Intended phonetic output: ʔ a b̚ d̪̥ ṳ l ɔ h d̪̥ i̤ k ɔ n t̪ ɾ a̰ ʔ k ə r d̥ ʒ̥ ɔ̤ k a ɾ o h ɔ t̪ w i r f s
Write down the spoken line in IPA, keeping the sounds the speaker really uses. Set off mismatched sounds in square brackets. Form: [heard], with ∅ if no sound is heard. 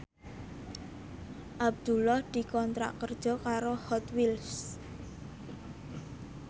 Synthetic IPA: ʔ a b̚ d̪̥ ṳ l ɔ h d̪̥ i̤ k ɔ n t̪ ɾ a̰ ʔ k ə r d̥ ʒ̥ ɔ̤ k a ɾ o h ɔ t̪ w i [l] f s

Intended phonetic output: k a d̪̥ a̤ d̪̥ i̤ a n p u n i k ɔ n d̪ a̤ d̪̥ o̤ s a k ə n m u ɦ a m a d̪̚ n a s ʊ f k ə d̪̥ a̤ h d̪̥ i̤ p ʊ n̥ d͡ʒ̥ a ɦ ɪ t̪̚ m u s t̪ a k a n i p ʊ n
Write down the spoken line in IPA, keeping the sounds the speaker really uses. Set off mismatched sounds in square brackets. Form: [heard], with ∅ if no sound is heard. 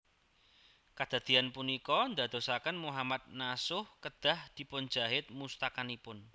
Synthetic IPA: k a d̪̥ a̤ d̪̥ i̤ a n p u n i k ɔ n d̪ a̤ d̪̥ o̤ s a k ə n m u ɦ a m a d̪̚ n a s ʊ [h] k ə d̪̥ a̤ h d̪̥ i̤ p ʊ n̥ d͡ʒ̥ a ɦ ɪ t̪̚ m u s t̪ a k a n i p ʊ n

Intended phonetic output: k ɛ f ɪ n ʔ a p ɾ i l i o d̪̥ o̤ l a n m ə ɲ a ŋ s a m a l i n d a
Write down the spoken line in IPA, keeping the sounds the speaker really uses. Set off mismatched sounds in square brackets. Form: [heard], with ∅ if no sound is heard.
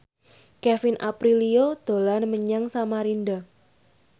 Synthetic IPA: k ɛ f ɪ n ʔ a p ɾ i l i o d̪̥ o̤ l a n m ə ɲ a ŋ s a m a [ɾ] i n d a

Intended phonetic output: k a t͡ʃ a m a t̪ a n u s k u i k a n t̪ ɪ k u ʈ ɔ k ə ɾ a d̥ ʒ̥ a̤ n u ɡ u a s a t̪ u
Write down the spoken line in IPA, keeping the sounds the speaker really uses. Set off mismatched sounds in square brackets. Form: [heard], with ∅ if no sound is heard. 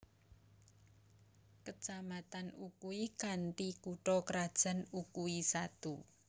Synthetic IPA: k [ə] t͡ʃ a m a t̪ a n u [∅] k u i k a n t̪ [i] k u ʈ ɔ k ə ɾ a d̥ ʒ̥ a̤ n u [k] u [i] s a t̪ u

